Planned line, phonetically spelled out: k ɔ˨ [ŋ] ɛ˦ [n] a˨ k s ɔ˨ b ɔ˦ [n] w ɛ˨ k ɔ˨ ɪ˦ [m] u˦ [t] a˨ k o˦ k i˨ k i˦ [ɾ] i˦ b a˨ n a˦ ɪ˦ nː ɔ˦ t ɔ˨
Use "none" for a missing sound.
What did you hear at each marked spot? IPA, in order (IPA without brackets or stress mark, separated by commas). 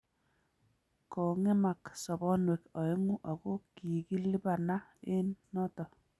ŋ, m, n, ŋ, ʔ, l